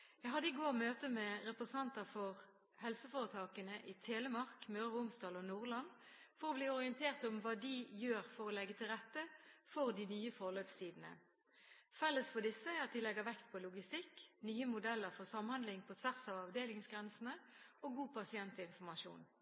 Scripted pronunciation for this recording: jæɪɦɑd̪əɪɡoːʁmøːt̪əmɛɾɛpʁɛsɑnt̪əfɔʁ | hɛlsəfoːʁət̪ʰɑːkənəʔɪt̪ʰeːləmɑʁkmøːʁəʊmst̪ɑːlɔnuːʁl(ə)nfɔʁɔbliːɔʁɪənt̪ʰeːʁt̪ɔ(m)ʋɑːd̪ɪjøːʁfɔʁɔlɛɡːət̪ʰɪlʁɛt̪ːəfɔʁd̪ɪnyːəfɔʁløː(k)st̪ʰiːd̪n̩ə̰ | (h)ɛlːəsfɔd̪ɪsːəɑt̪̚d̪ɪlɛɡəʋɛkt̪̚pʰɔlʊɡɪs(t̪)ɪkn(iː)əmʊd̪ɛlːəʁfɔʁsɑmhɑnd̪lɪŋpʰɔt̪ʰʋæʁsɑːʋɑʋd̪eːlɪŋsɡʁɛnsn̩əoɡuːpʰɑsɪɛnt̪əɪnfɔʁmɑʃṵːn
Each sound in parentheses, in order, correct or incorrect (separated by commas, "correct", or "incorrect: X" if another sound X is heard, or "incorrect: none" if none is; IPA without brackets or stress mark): incorrect: ɑ, correct, incorrect: p, incorrect: f, correct, incorrect: yː